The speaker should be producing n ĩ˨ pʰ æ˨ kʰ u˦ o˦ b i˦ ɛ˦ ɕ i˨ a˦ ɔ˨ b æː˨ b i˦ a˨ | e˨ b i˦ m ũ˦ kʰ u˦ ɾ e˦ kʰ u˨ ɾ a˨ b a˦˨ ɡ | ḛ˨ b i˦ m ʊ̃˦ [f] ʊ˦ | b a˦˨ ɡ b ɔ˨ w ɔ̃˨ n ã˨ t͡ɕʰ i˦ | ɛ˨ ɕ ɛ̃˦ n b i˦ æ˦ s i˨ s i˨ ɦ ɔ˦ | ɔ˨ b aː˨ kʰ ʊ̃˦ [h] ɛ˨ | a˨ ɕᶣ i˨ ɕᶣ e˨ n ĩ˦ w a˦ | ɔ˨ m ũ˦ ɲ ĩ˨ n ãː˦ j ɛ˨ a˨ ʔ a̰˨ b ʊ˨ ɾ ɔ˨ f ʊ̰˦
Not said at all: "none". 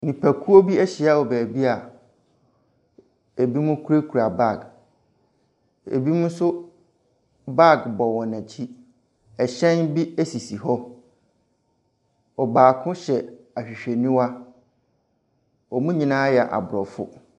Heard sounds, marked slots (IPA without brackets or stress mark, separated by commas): s, ɕ